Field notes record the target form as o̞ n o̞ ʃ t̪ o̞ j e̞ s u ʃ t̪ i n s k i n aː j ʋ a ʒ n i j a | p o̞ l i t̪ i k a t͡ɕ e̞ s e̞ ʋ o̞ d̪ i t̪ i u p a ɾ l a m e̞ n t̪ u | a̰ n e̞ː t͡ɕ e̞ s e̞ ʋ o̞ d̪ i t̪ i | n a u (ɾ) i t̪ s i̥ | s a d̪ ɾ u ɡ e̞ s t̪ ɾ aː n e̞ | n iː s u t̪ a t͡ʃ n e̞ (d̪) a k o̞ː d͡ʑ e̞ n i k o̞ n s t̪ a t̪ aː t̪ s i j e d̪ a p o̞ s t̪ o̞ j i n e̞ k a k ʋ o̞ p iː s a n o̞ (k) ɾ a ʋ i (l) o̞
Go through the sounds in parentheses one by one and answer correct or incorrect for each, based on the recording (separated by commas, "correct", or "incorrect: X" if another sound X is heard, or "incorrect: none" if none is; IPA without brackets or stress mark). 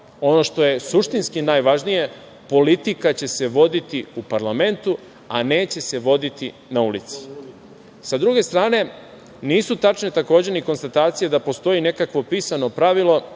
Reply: incorrect: l, incorrect: t̪, incorrect: p, correct